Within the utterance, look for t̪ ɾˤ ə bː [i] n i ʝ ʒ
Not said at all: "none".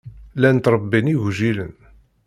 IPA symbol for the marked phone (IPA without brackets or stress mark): i